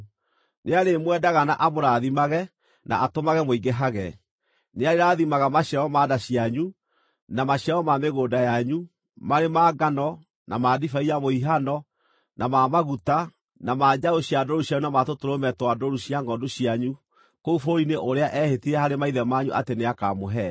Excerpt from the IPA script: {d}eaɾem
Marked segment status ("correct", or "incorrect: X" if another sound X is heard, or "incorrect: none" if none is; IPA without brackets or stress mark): incorrect: n